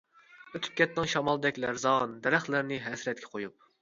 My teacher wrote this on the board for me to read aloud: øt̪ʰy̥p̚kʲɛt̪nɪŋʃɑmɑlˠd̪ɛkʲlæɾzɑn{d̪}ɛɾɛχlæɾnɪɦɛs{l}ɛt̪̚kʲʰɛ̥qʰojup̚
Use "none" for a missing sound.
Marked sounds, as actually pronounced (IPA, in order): d̪, ɾ

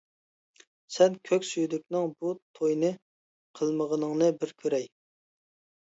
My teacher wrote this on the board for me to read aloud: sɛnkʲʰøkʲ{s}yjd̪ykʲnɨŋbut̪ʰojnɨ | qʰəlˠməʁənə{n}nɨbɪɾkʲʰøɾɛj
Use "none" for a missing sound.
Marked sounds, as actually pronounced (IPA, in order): s, ŋ

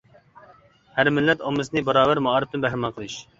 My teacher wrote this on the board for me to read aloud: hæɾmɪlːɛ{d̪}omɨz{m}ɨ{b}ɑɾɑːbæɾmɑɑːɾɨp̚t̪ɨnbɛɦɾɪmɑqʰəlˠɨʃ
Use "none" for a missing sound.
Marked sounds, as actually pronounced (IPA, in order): t̪, n, b

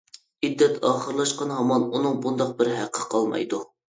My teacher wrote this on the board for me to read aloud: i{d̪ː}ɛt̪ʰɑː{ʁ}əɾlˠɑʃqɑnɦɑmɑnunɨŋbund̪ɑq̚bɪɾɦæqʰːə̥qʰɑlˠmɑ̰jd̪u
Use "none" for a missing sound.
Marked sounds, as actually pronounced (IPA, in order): d̪ː, χ

